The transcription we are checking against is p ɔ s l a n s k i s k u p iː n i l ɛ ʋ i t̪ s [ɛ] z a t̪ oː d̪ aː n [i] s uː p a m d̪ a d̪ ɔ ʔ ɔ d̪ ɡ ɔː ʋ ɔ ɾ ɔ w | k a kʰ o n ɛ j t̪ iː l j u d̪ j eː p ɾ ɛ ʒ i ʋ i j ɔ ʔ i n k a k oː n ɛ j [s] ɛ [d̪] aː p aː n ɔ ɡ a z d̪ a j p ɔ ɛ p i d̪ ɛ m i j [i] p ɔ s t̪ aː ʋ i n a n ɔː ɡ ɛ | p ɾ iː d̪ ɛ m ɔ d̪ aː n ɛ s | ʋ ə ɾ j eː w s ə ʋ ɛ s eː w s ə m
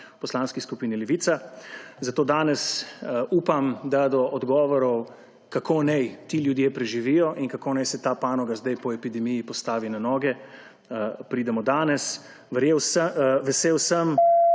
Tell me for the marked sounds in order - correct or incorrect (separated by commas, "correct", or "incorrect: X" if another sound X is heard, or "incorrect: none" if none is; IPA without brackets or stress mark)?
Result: incorrect: a, incorrect: ɛ, correct, incorrect: t̪, correct